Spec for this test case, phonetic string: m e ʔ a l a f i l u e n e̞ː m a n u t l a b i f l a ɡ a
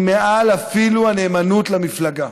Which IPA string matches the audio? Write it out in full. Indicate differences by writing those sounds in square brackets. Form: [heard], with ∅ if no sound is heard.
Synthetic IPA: m e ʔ a l a f i l u [a] n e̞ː m a n u t l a [m] i f l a ɡ a